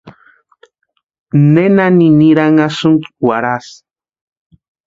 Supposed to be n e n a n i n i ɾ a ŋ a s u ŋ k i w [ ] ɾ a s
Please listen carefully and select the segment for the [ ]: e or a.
a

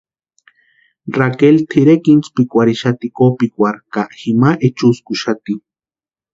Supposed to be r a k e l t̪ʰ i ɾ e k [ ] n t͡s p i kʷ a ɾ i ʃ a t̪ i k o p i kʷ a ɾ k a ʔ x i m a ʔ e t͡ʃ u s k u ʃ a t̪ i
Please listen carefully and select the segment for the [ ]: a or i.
i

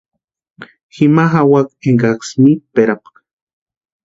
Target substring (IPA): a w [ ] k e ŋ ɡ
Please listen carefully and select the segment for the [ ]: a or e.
a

